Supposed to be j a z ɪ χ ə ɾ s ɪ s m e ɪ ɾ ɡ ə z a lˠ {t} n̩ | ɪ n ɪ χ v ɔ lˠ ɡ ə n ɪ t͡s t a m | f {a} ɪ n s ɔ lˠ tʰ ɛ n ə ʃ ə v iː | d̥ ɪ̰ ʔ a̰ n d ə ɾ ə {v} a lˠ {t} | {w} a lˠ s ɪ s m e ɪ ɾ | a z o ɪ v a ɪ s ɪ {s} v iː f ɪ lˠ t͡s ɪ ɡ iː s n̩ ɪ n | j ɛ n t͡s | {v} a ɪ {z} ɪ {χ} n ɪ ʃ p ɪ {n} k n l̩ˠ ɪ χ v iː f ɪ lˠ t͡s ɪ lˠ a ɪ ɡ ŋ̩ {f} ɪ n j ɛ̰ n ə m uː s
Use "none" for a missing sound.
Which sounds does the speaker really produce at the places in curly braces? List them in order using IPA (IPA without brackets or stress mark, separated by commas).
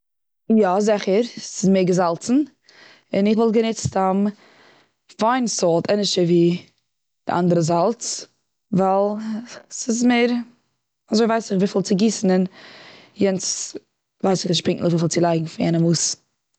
t͡s, a, z, t͡s, v, χ, v, s, χ, ŋ, f